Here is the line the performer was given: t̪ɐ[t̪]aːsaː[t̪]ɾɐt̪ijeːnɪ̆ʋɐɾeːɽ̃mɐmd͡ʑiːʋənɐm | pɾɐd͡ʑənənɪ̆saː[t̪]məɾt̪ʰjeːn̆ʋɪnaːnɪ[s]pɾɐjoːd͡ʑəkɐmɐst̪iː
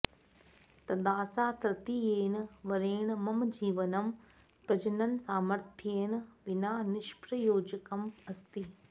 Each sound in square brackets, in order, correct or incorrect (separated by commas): incorrect, correct, incorrect, incorrect